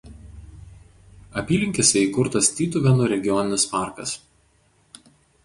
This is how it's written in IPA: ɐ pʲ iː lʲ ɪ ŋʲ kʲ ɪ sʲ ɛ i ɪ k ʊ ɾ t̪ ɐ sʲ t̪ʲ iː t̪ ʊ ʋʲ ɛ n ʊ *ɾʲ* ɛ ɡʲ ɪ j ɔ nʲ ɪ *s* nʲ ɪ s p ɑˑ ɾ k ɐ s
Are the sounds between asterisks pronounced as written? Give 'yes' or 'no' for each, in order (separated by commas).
yes, no